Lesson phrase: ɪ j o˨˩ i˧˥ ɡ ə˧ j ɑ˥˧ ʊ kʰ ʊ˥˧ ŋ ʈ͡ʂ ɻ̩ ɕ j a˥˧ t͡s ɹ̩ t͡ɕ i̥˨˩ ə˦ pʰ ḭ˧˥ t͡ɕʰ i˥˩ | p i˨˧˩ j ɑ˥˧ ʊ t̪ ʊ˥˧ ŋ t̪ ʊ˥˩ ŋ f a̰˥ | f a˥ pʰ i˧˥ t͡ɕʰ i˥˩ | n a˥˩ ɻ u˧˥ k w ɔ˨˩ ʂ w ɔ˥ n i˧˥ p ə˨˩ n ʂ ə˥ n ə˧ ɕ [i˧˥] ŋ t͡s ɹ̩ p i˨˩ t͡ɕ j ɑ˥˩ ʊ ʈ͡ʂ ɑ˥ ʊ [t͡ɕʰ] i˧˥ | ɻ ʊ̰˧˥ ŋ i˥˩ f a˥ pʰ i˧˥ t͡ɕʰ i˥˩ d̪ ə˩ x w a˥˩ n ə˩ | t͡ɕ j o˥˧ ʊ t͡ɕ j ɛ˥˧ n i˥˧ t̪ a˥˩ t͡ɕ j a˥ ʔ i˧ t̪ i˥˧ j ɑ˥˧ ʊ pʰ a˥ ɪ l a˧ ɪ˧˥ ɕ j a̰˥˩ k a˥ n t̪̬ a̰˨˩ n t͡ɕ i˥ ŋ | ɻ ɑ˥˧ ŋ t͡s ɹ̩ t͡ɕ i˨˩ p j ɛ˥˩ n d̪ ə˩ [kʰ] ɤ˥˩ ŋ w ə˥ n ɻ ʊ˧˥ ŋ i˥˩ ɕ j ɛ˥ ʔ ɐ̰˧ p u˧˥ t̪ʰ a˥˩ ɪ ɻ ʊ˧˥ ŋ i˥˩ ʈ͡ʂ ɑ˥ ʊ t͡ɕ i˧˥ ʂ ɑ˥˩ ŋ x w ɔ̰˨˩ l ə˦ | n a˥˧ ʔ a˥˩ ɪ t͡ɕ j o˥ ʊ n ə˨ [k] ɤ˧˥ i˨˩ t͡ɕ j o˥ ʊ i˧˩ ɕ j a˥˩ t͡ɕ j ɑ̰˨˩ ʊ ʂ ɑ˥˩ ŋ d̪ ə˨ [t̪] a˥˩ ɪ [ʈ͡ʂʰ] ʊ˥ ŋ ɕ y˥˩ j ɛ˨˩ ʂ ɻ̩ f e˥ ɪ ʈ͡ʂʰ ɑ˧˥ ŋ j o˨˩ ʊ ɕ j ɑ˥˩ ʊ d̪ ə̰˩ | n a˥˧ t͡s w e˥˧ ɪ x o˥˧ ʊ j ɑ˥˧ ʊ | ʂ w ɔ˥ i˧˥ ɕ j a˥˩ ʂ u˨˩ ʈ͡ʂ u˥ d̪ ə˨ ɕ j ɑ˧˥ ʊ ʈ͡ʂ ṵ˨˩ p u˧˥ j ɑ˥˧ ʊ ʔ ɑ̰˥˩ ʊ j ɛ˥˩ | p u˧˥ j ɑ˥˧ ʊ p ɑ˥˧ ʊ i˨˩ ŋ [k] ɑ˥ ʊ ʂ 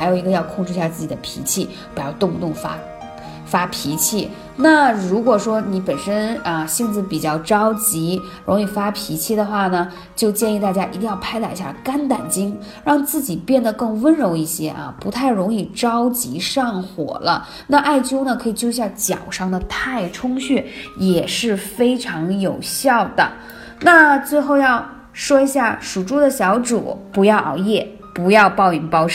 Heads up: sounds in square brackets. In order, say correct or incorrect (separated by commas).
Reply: incorrect, incorrect, incorrect, incorrect, incorrect, correct, incorrect